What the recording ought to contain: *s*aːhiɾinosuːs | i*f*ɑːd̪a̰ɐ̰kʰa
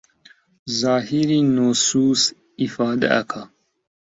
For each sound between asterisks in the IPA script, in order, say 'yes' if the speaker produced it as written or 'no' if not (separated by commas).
no, yes